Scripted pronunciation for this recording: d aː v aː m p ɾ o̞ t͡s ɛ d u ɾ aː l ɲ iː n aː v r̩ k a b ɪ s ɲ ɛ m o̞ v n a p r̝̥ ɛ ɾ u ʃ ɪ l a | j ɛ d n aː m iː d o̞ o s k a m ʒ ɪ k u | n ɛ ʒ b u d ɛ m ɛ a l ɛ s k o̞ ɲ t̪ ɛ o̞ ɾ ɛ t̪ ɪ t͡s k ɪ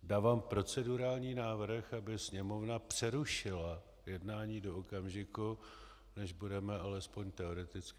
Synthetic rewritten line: d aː v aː m p ɾ o̞ t͡s ɛ d u ɾ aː l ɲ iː n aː v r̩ x a b ɪ s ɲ ɛ m o̞ v n a p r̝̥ ɛ ɾ u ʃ ɪ l a | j ɛ d n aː ɲ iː d o̞ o k a m ʒ ɪ k u | n ɛ ʒ b u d ɛ m ɛ a l ɛ s p o̞ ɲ t̪ ɛ o̞ ɾ ɛ t̪ ɪ t͡s k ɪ

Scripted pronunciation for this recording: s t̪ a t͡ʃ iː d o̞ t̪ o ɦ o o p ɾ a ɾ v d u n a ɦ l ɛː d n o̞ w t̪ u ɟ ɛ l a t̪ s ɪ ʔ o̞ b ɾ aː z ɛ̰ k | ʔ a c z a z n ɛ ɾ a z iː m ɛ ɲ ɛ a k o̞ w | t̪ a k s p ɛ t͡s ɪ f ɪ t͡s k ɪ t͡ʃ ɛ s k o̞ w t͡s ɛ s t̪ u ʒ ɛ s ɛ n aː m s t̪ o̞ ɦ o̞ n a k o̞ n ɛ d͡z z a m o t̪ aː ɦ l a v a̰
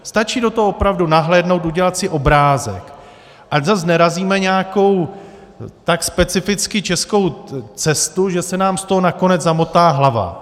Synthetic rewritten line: s t̪ a t͡ʃ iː d o̞ t̪ o ɦ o o p ɾ a v d u n a ɦ l ɛː d n o̞ w t̪ u ɟ ɛ l a t̪ s ɪ ʔ o̞ b ɾ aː z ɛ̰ k | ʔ a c z a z n ɛ ɾ a z iː m ɛ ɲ ɛ a k o̞ w | t̪ a k s p ɛ t͡s ɪ f ɪ t͡s k ɪ t͡ʃ ɛ s k o̞ w t͡s ɛ s t̪ u ʒ ɛ s ɛ n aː m s t̪ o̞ ɦ o̞ n a k o̞ n ɛ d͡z z a m o t̪ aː ɦ l a v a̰

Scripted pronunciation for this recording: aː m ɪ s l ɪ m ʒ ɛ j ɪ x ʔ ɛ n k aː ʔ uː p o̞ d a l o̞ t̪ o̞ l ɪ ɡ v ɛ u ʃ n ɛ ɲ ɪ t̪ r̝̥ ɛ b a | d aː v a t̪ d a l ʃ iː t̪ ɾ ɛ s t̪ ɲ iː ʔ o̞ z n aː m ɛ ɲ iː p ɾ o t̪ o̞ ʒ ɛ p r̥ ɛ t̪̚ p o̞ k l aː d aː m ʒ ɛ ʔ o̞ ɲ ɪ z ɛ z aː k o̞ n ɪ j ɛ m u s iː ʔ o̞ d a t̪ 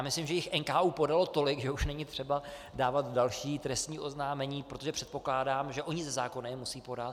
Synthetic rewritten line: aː m ɪ s l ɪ m ʒ ɛ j ɪ x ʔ ɛ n k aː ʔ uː p o̞ d a l o̞ t̪ o̞ l ɪ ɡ ʒ ɛ u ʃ n ɛ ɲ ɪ t̪ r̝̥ ɛ b a | d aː v a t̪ d a l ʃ iː t̪ ɾ ɛ s t̪ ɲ iː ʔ o̞ z n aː m ɛ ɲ iː p ɾ o t̪ o̞ ʒ ɛ p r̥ ɛ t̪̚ p o̞ k l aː d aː m ʒ ɛ ʔ o̞ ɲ ɪ z ɛ z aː k o̞ n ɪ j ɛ m u s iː p o̞ d a t̪

